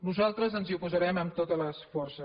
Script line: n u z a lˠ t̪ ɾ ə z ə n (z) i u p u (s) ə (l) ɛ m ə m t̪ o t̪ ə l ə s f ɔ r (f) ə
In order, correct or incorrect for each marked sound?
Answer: correct, incorrect: z, incorrect: ɾ, incorrect: s

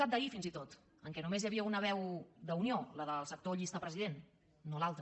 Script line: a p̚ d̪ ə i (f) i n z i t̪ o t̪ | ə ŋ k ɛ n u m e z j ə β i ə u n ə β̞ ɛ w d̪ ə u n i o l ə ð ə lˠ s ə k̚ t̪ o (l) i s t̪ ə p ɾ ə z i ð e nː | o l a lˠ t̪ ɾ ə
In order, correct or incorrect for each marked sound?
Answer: correct, incorrect: ʎ

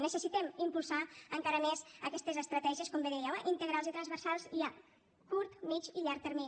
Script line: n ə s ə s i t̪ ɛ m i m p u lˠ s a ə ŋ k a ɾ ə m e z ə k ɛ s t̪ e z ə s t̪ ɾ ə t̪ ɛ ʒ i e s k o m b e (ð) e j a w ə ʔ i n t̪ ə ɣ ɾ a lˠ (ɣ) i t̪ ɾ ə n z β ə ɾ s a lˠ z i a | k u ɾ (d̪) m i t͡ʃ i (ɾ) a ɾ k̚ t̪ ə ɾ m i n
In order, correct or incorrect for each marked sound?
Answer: correct, incorrect: z, incorrect: t̪, incorrect: ʎ

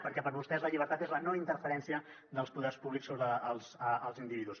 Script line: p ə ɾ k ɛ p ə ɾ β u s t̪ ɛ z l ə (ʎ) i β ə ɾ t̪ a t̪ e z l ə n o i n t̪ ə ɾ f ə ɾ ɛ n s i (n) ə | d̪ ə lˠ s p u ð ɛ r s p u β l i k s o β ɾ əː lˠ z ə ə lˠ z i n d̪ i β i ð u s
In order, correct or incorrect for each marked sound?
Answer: correct, incorrect: none

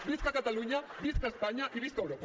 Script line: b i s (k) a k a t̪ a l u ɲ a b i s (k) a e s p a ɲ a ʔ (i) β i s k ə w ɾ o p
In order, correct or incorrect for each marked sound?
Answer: correct, correct, correct

